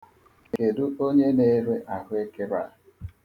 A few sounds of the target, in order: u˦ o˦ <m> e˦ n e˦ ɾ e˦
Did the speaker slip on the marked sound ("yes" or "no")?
yes